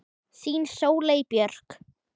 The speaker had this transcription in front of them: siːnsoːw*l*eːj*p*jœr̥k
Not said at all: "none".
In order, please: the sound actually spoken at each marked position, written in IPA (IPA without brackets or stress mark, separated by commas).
l, p